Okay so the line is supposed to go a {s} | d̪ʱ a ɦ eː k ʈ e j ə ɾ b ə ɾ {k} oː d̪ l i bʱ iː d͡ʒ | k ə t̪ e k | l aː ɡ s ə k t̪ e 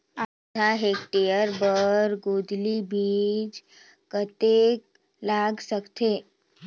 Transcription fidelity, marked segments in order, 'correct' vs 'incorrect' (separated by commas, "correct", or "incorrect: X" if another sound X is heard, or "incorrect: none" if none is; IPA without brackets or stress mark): incorrect: none, incorrect: ɡ